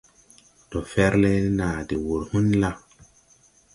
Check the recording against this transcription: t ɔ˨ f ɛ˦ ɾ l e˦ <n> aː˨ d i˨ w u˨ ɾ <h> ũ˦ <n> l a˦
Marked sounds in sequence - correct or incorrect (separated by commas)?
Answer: correct, correct, correct